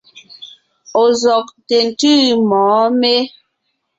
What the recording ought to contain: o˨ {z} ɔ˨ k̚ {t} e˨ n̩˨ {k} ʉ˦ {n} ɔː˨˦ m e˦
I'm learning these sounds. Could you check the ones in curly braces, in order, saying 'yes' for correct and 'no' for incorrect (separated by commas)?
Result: yes, yes, no, no